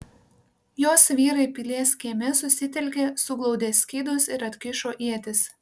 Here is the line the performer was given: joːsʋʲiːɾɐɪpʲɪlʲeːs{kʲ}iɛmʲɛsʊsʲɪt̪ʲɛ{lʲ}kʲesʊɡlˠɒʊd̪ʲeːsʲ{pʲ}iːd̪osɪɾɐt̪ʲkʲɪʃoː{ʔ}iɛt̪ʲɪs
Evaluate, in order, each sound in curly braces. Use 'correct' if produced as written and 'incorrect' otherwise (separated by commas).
correct, correct, incorrect, correct